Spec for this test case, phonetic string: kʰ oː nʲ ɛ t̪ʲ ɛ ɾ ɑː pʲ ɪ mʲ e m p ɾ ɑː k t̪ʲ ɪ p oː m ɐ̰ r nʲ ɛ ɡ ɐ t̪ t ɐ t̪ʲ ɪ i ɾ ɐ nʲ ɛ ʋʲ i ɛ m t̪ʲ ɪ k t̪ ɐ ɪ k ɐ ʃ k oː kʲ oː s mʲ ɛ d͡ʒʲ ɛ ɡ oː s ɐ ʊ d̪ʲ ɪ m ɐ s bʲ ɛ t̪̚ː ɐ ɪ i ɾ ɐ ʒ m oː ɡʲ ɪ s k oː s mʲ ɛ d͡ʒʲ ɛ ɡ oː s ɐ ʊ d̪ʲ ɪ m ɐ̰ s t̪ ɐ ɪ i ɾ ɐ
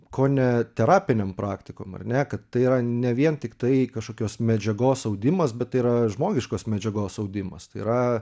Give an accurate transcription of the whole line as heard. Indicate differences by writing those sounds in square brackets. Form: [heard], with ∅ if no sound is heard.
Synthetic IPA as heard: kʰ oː nʲ ɛ t̪ʲ ɛ ɾ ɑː pʲ ɪ [nʲ] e m p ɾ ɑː k t̪ʲ ɪ [k] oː m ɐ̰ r nʲ ɛ [k] ɐ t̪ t ɐ [∅] ɪ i ɾ ɐ nʲ ɛ ʋʲ i ɛ [n] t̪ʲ ɪ k t̪ ɐ ɪ k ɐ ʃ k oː kʲ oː s mʲ ɛ d͡ʒʲ ɛ ɡ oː s ɐ ʊ d̪ʲ ɪ m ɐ s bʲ ɛ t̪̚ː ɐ ɪ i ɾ ɐ ʒ m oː ɡʲ ɪ [ʃ] k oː s mʲ ɛ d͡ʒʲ ɛ ɡ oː s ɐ ʊ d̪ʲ ɪ m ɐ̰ s t̪ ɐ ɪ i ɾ ɐ